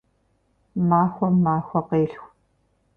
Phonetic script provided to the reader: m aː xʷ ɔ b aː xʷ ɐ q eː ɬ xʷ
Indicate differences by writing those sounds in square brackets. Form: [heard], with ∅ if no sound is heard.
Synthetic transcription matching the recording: m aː xʷ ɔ [m] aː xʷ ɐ q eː ɬ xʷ